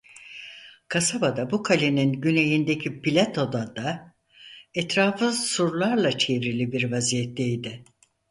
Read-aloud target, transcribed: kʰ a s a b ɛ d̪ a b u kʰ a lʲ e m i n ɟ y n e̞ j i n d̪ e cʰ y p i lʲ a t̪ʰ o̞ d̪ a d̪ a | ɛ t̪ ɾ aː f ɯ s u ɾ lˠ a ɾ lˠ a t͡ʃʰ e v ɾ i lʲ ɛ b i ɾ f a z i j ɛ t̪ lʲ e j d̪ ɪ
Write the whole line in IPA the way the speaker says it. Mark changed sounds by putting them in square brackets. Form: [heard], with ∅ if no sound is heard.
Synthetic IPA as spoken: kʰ a s a b [a] d̪ a b u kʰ a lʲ e [n] i n ɟ y n e̞ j i n d̪ e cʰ [i] p i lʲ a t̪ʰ o̞ d̪ a d̪ a | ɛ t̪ ɾ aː f ɯ s u ɾ lˠ a ɾ lˠ a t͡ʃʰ e v ɾ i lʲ [i] b i ɾ [v] a z i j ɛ t̪ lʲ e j d̪ ɪ